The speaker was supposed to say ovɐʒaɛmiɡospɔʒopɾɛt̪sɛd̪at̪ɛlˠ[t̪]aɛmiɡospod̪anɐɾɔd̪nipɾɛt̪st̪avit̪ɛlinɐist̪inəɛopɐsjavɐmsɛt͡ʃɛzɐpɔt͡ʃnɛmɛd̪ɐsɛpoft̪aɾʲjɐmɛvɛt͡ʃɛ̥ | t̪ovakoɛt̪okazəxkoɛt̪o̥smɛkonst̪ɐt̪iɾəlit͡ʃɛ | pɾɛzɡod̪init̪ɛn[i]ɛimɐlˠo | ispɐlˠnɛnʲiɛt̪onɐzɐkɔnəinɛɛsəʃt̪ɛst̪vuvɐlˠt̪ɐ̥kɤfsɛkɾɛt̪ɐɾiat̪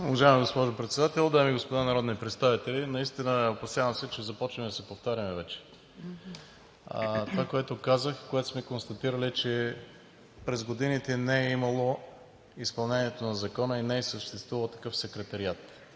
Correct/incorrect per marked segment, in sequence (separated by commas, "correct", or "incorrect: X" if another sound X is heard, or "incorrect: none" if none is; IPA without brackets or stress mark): incorrect: d̪, incorrect: ɛ